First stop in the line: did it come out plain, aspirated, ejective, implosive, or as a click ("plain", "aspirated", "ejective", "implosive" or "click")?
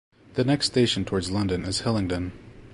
plain